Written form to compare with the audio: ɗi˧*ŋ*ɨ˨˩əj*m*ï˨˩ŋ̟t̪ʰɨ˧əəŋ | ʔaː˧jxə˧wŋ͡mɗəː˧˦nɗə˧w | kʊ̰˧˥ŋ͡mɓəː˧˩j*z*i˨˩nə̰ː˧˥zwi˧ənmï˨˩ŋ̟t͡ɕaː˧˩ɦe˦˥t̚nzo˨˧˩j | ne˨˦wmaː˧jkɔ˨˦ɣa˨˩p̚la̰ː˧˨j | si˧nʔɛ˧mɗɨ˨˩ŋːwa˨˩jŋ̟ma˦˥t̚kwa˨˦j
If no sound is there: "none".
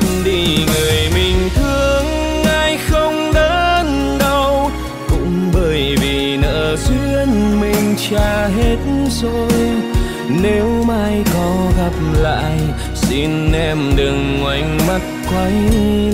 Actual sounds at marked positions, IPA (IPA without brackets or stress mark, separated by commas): ŋ, m, v